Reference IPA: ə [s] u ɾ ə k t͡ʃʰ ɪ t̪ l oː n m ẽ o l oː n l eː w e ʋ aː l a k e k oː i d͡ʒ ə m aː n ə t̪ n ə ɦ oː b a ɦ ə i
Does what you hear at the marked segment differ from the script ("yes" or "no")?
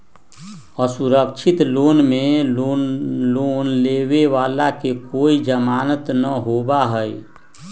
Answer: no